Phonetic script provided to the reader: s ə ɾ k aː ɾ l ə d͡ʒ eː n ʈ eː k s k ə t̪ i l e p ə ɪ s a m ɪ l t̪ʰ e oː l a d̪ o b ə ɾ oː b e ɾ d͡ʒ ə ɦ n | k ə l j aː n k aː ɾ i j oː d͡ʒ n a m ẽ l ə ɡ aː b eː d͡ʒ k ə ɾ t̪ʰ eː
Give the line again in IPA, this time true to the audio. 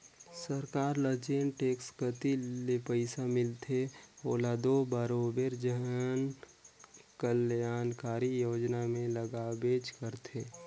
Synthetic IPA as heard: s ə ɾ k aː ɾ l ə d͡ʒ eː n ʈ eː k s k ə t̪ i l e p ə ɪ s a m ɪ l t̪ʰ e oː l a d̪ o b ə ɾ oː b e ɾ d͡ʒ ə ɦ n | k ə l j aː n k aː ɾ i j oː d͡ʒ n a m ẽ l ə ɡ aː b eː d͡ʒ k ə ɾ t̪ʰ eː